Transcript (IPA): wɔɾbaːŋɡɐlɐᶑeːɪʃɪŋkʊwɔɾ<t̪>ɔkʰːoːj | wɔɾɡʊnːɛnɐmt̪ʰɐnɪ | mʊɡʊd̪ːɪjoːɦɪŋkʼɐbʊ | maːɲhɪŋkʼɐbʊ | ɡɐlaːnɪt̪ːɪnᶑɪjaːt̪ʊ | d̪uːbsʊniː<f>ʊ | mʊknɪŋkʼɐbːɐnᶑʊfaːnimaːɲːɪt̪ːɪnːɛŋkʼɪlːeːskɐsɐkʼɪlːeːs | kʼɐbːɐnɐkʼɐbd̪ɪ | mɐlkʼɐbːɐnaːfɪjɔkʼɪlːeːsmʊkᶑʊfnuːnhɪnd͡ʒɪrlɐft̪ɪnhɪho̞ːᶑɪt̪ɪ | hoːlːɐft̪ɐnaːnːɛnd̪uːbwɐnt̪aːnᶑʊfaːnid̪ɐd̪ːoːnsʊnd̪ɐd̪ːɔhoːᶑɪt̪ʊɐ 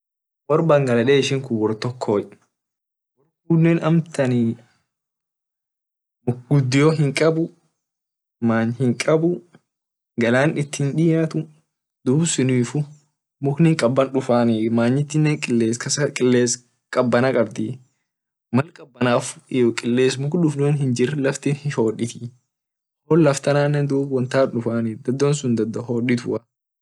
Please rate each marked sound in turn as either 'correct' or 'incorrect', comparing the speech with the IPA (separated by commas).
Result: correct, correct